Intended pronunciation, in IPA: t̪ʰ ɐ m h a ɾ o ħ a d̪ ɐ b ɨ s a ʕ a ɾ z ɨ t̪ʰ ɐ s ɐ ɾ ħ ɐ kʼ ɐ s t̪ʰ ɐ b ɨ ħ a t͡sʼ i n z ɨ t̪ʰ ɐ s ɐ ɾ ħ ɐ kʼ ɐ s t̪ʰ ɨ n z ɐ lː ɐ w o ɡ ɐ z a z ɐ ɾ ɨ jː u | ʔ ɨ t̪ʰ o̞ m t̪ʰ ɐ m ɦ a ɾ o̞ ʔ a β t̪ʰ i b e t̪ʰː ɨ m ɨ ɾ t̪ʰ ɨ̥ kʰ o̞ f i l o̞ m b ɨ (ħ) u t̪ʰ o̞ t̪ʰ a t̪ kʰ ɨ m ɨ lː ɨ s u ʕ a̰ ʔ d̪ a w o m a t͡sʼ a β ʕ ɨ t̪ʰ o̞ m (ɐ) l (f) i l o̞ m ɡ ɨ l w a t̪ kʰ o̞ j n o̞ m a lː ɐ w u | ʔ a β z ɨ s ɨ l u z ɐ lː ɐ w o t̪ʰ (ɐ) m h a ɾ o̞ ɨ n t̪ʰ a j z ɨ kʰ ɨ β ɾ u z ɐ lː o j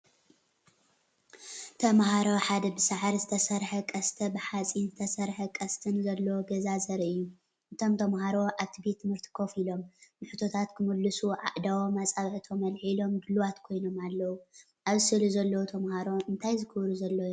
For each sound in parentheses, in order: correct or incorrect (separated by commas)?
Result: correct, correct, incorrect, correct